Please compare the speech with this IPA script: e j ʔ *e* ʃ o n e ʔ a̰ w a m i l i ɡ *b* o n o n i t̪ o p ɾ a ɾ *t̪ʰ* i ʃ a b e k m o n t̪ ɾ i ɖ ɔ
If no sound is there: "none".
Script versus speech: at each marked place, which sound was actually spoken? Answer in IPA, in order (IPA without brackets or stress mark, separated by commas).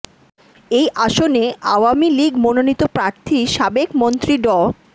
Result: a, m, t̪ʰ